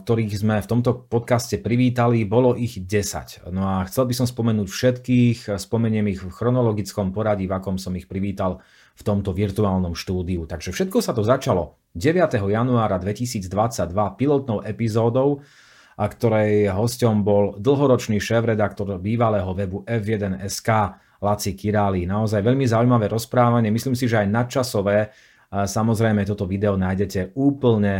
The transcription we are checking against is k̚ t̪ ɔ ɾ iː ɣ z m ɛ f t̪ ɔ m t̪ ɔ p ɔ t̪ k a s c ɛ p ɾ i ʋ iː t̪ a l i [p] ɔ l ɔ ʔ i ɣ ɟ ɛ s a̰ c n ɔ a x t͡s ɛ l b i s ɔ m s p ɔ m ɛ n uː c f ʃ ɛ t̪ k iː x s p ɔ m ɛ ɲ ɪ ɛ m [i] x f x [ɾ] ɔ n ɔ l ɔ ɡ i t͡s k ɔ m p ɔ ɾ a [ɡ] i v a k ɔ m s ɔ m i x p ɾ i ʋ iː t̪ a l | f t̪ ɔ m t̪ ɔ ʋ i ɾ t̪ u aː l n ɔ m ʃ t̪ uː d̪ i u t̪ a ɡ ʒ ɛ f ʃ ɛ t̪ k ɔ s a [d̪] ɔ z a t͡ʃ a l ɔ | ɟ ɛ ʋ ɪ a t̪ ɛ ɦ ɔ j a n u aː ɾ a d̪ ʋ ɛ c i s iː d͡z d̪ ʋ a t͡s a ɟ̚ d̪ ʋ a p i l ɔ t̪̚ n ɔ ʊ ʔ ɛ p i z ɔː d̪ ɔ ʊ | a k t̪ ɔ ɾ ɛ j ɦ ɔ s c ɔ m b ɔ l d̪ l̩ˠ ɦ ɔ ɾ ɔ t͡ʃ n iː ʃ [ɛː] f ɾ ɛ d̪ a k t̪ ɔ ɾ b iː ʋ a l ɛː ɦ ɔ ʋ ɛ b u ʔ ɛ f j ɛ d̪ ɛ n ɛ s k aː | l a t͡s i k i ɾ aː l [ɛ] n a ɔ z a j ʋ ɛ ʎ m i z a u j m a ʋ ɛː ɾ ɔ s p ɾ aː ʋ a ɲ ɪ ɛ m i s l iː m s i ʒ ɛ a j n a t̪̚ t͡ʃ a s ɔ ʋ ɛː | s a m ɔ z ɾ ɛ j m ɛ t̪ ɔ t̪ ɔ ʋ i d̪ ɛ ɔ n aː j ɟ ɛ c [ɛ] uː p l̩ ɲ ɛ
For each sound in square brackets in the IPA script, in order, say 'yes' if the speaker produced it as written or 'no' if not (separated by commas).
no, yes, yes, no, no, yes, no, yes